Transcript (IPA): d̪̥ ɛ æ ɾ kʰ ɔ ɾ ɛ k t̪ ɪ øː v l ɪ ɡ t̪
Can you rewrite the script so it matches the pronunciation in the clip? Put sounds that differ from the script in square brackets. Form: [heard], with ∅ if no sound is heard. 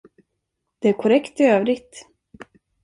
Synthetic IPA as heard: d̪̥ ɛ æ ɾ kʰ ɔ ɾ ɛ k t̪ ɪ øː v [ɾ] ɪ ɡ t̪